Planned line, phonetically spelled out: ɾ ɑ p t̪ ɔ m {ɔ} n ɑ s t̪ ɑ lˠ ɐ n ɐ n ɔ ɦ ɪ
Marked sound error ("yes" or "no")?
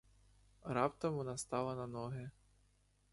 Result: no